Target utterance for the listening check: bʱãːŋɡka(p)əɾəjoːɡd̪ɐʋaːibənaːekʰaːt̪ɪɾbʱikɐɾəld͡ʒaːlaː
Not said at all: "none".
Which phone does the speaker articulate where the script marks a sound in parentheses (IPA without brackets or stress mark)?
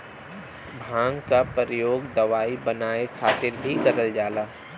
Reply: p